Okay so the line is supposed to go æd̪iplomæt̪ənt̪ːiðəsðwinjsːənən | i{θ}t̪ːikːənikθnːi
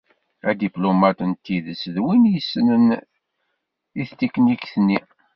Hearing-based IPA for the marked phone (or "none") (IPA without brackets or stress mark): θ